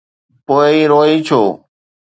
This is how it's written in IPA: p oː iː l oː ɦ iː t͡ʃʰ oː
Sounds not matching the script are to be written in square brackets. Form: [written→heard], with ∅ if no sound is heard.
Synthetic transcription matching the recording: p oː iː [l→ɾ] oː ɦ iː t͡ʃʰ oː